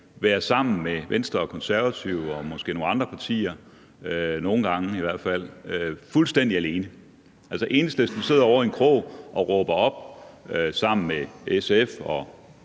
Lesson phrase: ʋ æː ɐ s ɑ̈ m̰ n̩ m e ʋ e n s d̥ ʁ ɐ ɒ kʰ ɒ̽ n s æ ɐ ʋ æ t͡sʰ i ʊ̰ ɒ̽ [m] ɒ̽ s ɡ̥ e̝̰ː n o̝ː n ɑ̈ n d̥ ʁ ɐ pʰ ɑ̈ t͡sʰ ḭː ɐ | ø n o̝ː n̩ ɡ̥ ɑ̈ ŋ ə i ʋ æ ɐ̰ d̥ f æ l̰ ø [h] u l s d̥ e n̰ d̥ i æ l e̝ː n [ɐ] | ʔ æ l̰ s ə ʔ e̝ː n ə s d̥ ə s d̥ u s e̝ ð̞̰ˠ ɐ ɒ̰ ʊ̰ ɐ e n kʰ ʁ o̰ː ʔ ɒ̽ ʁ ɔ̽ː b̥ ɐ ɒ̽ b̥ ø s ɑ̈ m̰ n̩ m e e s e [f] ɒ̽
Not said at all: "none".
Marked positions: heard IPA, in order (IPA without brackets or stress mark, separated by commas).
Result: m, f, ə, f